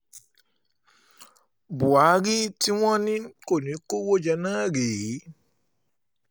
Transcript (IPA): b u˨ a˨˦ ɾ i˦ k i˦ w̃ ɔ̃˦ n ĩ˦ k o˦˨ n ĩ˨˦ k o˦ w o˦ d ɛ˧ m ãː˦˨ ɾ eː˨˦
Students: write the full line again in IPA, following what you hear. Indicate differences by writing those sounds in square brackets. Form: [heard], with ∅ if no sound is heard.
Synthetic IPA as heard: b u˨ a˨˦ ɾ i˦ [t] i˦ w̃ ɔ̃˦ n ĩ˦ k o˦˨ n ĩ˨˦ k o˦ w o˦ [d͡ʒ] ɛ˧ [n] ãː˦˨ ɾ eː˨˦